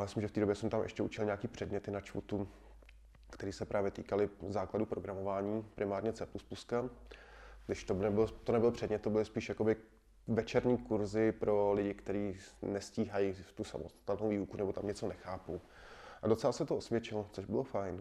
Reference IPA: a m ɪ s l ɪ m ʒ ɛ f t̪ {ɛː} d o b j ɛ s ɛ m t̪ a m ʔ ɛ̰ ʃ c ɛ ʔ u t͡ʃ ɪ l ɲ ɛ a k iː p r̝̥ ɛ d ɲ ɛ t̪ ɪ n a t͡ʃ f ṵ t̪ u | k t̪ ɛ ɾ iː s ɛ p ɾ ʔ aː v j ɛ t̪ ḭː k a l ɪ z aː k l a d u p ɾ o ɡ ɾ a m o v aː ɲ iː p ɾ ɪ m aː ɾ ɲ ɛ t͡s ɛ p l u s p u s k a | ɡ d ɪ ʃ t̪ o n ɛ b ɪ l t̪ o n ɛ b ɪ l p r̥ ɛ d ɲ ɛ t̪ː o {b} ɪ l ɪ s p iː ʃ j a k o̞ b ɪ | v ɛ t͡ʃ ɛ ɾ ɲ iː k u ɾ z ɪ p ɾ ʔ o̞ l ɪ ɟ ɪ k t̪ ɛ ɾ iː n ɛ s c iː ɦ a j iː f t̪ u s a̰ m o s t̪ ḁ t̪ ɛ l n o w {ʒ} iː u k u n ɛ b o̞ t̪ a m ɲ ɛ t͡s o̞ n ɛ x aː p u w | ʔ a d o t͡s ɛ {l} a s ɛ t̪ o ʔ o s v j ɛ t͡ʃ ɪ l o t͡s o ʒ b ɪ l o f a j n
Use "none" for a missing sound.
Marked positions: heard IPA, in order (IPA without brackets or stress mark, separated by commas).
iː, b, v, l